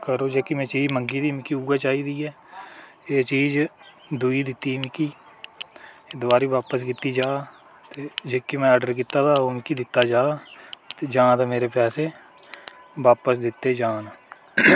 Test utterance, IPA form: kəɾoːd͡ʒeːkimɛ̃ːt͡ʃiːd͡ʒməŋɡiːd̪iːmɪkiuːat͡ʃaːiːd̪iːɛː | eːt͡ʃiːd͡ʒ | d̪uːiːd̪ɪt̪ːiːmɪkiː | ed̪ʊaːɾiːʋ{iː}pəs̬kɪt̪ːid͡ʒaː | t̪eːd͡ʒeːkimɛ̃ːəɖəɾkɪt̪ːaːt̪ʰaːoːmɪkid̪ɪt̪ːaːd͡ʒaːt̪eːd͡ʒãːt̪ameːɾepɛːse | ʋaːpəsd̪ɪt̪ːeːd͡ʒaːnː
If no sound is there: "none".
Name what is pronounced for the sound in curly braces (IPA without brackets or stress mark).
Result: aː